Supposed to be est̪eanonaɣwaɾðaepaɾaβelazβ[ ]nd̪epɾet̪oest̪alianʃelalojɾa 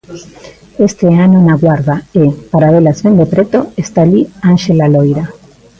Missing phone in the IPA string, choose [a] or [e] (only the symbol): e